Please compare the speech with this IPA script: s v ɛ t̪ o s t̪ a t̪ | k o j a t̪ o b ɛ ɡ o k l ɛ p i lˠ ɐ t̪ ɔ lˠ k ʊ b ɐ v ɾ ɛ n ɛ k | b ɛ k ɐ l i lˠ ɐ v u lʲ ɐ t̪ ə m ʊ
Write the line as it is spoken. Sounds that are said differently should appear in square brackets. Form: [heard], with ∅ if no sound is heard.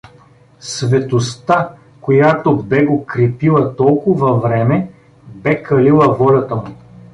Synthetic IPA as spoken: s v ɛ t̪ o s t̪ a [∅] | k o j a t̪ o b ɛ ɡ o k [ɾ] ɛ p i lˠ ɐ t̪ ɔ lˠ k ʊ [v] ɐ v ɾ ɛ [m] ɛ [∅] | b ɛ k ɐ l i lˠ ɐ v [ɔ] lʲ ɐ t̪ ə m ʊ